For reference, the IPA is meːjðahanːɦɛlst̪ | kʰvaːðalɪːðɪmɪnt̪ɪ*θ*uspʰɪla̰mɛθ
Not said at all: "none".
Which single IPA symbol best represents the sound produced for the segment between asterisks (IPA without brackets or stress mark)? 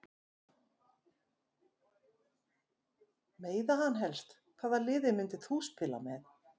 θ